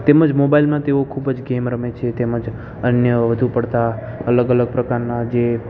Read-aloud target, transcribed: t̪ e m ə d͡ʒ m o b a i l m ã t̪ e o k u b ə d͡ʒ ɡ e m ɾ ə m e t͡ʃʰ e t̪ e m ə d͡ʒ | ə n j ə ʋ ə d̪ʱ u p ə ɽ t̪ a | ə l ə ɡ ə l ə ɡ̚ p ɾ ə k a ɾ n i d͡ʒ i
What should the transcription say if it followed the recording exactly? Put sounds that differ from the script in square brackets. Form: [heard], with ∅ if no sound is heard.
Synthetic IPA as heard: t̪ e m ə d͡ʒ m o b a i l m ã t̪ e o [kʰ] u b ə d͡ʒ ɡ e m ɾ ə m e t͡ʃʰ e t̪ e m ə d͡ʒ | ə n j ə ʋ ə d̪ʱ u p ə ɽ t̪ a | ə l ə ɡ ə l ə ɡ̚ p ɾ ə k a ɾ n [a] d͡ʒ [e]